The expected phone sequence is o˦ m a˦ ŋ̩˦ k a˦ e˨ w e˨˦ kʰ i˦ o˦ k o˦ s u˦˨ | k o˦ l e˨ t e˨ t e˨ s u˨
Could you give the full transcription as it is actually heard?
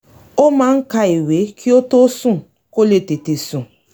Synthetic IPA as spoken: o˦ m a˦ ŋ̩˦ k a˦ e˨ w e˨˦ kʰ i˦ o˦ t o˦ s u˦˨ | k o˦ l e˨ t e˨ t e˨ s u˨